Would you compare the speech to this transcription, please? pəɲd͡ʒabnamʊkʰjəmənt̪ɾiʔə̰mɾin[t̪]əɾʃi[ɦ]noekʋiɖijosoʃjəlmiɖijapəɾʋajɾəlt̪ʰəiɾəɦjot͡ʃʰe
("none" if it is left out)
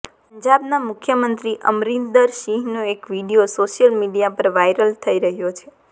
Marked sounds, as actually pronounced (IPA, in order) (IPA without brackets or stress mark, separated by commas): d̪, ɦ